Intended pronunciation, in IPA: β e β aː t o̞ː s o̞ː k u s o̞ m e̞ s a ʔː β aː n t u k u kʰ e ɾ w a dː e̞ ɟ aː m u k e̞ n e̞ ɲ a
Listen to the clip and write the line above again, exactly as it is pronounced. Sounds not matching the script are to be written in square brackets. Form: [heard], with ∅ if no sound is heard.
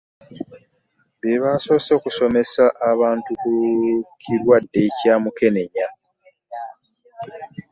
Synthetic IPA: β e β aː [s] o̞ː s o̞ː k u s o̞ m e̞ s a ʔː β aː n t u k u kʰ [i] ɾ w a dː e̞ [c] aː m u k e̞ n e̞ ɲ a